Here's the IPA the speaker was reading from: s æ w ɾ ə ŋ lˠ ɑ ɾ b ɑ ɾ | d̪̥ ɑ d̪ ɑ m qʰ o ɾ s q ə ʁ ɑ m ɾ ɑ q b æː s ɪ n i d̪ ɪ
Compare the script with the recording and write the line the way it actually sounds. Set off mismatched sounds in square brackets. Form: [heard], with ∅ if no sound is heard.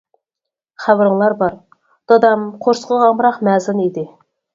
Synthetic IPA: [χ] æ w ɾ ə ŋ lˠ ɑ ɾ b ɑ ɾ | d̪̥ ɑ d̪ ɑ m qʰ o ɾ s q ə ʁ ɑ m ɾ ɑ q [m] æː [z] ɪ n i d̪ ɪ